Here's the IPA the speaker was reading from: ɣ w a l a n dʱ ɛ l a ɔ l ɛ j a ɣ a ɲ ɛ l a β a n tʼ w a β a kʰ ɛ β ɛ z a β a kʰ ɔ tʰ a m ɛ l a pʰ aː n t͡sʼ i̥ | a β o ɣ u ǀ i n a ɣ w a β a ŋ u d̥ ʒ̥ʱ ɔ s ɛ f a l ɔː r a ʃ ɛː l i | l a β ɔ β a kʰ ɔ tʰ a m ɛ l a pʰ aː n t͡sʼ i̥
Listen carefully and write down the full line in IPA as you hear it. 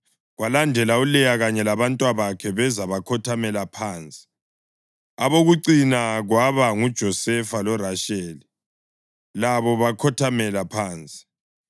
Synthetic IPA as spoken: ɣ w a l a n dʱ ɛ l a u l ɛ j a ɣ a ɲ ɛ l a β a n tʼ w a β a kʰ ɛ β ɛ z a β a kʰ ɔ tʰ a m ɛ l a pʰ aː n t͡sʼ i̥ | a β o ɣ u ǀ i n a ɣ w a β a ŋ u d̥ ʒ̥ʱ ɔ s ɛ f a l ɔ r a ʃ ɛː l i | l a β ɔ β a kʰ ɔ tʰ a m ɛ l a pʰ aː n t͡sʼ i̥